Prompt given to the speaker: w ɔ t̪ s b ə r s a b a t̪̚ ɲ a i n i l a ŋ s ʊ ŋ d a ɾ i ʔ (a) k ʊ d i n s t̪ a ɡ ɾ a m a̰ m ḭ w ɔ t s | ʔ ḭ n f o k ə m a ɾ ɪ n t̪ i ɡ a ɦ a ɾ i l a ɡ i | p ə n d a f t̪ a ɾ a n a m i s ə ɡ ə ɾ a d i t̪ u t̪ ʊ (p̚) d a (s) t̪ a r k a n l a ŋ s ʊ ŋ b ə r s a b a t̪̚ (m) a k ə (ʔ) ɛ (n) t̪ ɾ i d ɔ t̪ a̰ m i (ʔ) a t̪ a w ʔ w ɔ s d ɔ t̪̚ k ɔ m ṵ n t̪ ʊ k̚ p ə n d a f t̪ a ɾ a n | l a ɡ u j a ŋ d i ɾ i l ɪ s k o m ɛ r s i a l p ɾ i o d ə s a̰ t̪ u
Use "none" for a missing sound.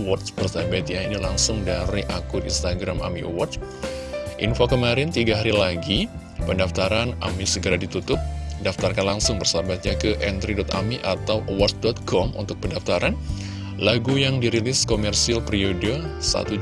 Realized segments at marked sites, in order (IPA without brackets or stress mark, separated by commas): a, p̚, f, ɲ, ʔ, n, ʔ